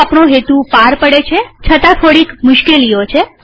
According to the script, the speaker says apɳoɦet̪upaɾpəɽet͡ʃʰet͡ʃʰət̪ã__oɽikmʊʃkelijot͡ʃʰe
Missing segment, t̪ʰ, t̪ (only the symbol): t̪ʰ